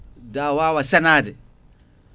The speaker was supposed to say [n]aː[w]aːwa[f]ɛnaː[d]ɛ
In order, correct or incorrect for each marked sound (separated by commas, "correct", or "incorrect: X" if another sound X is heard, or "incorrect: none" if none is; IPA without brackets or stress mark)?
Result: incorrect: d, correct, incorrect: s, correct